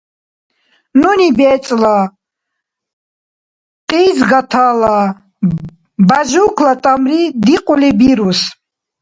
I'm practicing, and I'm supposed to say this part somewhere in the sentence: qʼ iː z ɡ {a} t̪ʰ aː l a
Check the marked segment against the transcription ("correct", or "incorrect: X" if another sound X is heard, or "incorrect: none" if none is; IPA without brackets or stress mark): correct